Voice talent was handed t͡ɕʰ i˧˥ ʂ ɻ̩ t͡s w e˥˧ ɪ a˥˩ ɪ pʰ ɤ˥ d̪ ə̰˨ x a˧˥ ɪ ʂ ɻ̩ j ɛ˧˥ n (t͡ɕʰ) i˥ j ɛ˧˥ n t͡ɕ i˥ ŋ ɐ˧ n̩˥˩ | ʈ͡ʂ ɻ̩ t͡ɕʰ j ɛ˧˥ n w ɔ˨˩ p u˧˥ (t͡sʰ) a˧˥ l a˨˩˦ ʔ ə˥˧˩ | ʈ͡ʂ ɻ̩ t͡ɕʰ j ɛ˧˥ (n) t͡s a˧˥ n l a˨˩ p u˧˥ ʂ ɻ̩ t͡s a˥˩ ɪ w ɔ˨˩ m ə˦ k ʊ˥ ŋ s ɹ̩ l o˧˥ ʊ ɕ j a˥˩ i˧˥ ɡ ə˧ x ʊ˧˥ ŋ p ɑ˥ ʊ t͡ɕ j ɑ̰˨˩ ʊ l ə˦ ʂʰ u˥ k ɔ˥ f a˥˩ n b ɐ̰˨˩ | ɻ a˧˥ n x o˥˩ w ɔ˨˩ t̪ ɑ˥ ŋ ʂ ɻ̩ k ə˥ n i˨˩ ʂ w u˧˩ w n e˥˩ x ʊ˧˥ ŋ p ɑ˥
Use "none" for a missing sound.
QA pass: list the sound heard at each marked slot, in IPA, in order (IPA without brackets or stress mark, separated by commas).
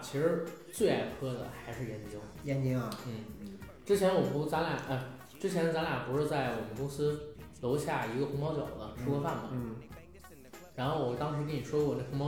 t͡ɕ, t͡s, n